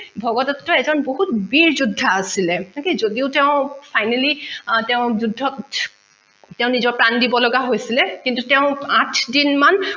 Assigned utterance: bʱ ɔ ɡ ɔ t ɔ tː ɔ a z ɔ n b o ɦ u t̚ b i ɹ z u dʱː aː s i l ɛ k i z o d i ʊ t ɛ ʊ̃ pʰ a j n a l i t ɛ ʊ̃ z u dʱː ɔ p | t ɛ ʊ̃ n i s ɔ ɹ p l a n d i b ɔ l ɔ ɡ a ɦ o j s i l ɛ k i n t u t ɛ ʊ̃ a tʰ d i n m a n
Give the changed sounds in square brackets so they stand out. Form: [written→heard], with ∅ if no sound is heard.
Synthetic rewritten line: bʱ ɔ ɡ ɔ t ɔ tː ɔ [a→ɛ] z ɔ n b o ɦ u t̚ b i ɹ z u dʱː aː s i l ɛ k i z o d i ʊ t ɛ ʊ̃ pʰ a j n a l i t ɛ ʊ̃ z u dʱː ɔ [p→t] | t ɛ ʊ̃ n i [s→z] ɔ ɹ p [l→ɹ] a n d i b ɔ l ɔ ɡ a ɦ o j s i l ɛ k i n t u t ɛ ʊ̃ a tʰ d i n m a n